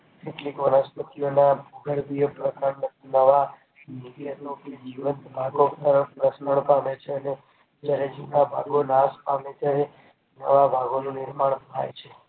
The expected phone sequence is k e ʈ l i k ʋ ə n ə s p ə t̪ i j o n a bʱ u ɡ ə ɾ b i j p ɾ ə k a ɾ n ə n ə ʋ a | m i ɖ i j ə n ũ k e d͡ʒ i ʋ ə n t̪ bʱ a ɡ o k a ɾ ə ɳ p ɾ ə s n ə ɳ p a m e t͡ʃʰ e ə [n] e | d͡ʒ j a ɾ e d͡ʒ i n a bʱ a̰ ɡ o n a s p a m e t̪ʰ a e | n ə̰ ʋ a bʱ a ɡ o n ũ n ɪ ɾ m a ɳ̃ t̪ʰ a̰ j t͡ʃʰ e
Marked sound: correct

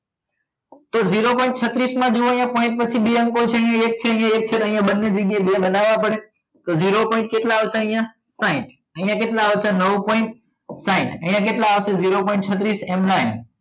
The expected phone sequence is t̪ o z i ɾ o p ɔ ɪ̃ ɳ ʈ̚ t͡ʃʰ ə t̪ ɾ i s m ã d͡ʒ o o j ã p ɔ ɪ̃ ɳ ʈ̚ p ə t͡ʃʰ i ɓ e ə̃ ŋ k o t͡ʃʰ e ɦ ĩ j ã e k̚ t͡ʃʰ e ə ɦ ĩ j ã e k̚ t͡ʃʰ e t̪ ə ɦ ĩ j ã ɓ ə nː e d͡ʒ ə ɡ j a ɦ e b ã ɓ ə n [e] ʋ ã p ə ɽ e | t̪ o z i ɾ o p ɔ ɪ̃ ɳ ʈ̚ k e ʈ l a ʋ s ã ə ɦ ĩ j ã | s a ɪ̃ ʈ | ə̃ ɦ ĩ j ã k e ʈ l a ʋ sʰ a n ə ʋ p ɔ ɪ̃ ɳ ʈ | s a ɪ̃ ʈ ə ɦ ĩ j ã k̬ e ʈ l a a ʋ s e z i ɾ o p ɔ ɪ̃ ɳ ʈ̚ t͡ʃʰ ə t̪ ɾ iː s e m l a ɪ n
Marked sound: incorrect: a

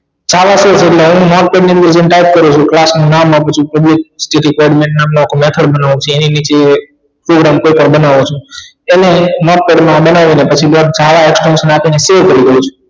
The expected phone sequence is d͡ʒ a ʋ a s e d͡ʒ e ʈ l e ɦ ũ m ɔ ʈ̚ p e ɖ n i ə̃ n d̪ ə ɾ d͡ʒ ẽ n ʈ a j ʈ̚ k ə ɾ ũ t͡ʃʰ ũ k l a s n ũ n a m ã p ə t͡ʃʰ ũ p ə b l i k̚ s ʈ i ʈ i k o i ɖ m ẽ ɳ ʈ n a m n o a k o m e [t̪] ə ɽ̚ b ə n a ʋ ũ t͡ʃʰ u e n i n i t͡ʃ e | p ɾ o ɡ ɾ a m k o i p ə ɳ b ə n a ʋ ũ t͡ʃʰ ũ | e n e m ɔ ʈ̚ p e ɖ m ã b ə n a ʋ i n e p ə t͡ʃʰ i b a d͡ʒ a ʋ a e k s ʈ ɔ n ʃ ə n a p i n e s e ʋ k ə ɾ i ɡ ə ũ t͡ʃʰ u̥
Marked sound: incorrect: t̪ʰ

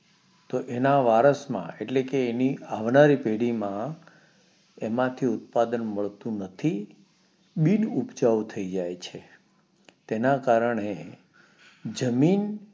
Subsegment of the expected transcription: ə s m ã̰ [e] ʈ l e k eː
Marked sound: correct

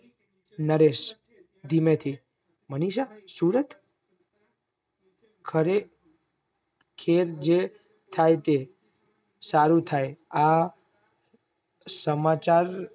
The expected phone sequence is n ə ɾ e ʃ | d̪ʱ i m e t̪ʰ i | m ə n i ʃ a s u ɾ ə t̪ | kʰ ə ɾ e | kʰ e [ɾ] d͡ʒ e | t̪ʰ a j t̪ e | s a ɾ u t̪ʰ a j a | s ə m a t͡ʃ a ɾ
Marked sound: correct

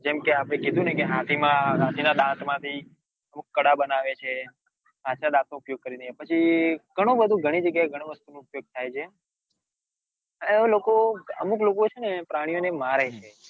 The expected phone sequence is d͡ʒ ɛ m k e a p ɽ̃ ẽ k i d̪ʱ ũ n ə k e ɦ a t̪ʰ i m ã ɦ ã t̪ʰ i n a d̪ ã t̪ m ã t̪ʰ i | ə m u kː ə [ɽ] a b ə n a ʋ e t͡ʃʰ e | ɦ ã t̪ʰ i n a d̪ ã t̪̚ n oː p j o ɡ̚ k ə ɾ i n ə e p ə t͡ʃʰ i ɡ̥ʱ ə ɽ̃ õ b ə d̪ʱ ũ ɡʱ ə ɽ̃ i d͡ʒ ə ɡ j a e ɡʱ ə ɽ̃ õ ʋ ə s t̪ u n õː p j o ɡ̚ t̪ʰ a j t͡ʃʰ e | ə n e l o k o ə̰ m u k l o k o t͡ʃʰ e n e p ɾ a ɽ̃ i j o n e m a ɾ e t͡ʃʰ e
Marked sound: correct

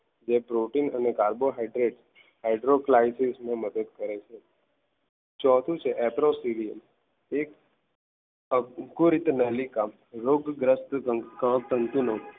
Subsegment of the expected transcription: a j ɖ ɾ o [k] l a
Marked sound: correct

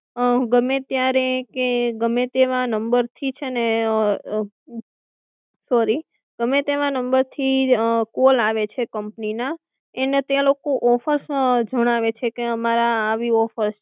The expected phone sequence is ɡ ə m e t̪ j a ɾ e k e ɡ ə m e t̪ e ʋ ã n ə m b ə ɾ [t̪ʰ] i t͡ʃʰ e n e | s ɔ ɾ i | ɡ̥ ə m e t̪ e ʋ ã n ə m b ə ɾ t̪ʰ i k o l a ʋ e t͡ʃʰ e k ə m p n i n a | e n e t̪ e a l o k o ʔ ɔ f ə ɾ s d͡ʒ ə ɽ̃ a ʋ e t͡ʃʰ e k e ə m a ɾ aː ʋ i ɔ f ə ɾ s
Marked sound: correct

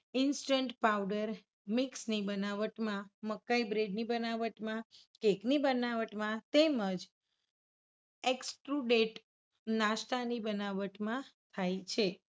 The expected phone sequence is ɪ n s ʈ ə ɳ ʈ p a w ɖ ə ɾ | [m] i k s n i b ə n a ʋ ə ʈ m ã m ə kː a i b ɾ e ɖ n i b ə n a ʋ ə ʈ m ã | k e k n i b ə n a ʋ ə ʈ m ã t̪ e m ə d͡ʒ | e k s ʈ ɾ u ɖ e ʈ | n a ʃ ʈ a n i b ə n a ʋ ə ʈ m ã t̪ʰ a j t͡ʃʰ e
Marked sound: correct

